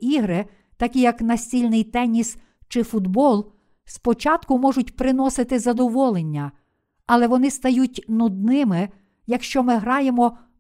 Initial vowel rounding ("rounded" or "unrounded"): unrounded